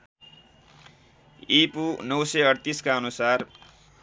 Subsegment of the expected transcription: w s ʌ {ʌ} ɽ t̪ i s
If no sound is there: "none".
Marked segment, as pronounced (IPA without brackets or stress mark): ʌ